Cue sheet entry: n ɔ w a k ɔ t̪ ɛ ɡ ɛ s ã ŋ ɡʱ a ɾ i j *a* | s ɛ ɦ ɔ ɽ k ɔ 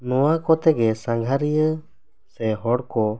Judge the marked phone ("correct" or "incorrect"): incorrect